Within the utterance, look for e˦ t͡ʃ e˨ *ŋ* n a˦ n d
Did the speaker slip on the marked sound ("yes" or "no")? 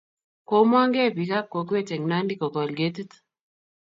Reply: no